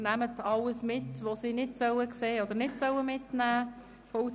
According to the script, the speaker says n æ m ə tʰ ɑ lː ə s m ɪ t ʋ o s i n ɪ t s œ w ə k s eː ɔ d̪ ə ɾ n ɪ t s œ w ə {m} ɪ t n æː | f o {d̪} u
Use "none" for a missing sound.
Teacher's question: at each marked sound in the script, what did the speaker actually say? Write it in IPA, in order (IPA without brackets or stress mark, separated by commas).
m, none